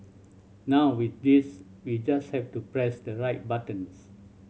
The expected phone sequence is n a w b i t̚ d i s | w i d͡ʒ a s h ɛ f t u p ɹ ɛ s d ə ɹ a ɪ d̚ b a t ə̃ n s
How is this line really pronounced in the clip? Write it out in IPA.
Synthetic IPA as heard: n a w w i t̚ d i s | w i d͡ʒ a s h ɛ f t u p ɹ ɛ s d ə ɹ a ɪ t̚ b a t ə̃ n s